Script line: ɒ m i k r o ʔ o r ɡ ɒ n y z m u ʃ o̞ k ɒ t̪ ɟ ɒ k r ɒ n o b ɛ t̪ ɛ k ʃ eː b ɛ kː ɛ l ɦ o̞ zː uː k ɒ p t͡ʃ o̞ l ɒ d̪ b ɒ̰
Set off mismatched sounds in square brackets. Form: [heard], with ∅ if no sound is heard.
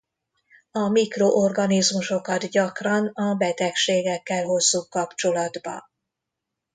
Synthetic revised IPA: ɒ m i k r o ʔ o r ɡ ɒ n [i] z m u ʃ o̞ k ɒ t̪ ɟ ɒ k r ɒ n [ɒ] b ɛ t̪ ɛ k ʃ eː [ɡ] ɛ kː ɛ l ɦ o̞ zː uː k ɒ p t͡ʃ o̞ l ɒ d̪ b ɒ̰